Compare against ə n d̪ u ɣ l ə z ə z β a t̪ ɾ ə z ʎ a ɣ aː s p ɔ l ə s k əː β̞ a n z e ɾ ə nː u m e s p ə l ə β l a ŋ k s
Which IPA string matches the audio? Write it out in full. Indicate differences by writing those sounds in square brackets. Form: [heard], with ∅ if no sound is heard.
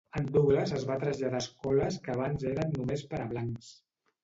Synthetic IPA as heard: ə n d̪ u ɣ l ə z ə z β a t̪ ɾ ə z ʎ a [ð] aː s [k] ɔ l ə s k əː β̞ a n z e ɾ ə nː u m e s p ə [ɾ] ə β l a ŋ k s